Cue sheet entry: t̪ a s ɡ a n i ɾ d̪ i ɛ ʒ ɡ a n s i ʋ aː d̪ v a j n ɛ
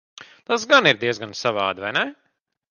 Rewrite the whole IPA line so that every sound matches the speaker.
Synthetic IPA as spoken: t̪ a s ɡ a n i ɾ d̪ i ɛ z ɡ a n s a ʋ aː d̪ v a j n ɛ